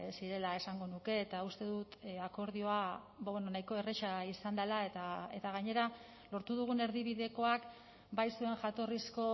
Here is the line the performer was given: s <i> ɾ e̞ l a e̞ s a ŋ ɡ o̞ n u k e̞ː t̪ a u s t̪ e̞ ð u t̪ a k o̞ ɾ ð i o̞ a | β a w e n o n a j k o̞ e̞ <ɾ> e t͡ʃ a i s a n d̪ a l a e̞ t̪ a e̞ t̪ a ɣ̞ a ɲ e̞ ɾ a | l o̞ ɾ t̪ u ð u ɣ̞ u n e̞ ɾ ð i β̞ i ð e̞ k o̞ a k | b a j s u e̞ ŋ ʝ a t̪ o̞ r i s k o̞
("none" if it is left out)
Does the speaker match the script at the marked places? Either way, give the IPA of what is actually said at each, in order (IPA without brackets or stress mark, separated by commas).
i, r